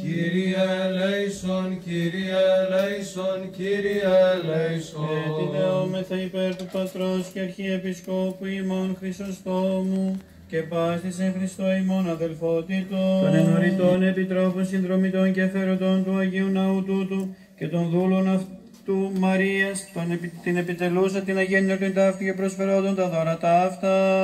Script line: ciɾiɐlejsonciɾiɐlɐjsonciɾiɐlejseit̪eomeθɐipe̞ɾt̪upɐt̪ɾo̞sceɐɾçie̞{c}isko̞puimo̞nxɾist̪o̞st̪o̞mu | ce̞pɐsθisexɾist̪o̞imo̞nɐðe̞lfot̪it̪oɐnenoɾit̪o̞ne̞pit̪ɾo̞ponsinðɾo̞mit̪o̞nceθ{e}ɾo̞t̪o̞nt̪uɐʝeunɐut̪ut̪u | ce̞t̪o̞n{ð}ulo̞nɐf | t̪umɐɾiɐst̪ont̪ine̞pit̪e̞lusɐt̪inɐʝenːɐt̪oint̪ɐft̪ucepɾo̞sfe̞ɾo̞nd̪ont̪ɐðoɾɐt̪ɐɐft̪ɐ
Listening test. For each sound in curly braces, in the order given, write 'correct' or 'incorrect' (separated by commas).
incorrect, correct, correct